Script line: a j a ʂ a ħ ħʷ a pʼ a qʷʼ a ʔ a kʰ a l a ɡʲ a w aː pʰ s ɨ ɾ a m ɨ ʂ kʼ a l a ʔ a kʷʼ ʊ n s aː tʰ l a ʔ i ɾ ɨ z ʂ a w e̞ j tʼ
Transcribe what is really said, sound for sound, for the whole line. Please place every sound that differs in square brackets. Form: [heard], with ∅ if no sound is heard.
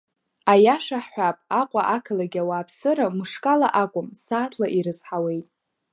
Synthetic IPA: a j a ʂ a ħ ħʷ a pʼ a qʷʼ a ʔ a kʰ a l a ɡʲ a w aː pʰ s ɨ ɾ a m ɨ ʂ kʼ a l a ʔ a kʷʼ ʊ [m] s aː tʰ l a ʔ i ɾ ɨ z [ħ] a w e̞ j tʼ